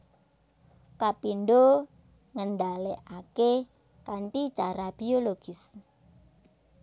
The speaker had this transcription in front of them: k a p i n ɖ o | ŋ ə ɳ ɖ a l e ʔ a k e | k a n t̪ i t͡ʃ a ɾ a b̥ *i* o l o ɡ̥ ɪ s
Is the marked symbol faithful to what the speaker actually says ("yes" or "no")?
yes